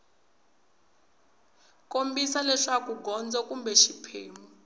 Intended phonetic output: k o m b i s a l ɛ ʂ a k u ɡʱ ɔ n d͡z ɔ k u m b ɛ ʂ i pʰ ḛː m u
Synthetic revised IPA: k o m b i s a l ɛ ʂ a k u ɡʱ ɔ n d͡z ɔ k u m b ɛ ʃ i pʰ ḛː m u

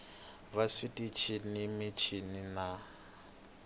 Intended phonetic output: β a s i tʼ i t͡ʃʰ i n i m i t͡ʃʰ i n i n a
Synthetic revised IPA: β a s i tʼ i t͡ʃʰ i n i m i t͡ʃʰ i n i n a

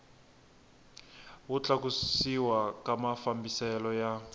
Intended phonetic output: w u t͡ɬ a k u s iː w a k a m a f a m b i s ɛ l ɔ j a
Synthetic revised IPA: w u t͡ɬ a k u s i w a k a m a f a m b i s ɛ l ɔ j a

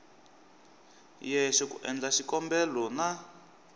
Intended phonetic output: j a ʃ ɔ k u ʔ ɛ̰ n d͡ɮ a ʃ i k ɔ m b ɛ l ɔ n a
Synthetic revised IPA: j ɛ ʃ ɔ k u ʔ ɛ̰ n d͡ɮ a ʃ i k ɔ m b ɛ l ɔ n a

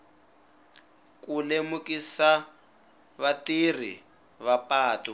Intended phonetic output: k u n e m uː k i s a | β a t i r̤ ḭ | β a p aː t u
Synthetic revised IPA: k u n e m u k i s a | β a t i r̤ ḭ | β a p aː t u

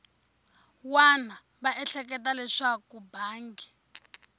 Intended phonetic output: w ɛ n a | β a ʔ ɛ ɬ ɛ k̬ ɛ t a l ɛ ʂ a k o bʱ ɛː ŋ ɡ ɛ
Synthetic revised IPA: w a n a | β a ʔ ɛ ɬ ɛ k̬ ɛ t a l ɛ ʂ a k u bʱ aː ŋ ɡ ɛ

